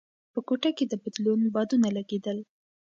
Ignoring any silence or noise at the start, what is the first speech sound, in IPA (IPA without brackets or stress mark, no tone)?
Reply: p